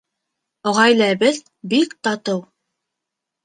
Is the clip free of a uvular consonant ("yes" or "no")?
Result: no